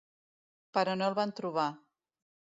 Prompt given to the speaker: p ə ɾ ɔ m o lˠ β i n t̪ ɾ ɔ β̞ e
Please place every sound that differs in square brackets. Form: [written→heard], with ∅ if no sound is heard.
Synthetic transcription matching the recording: p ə ɾ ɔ [m→n] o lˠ β [i→a] n t̪ ɾ [ɔ→u] β̞ [e→a]